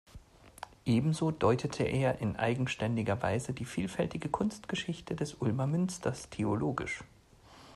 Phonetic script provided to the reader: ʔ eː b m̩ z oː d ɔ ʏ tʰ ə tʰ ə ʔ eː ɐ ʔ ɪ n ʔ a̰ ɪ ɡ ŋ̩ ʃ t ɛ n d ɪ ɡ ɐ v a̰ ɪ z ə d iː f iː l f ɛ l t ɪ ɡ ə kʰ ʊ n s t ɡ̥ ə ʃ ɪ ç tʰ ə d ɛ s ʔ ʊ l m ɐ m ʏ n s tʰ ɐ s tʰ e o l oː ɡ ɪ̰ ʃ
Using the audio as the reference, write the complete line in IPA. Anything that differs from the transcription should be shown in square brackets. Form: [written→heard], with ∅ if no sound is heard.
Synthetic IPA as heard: ʔ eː b m̩ z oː d ɔ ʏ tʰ ə tʰ ə ʔ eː ɐ ʔ ɪ n ʔ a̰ ɪ ɡ ŋ̩ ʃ t ɛ n d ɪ ɡ ɐ v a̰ ɪ z ə d iː f iː l f ɛ l t ɪ ɡ ə kʰ ʊ n s t ɡ̥ ə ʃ ɪ ç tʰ ə d ɛ s ʔ ʊ l m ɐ m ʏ n s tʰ ɐ s tʰ e o l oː ɡ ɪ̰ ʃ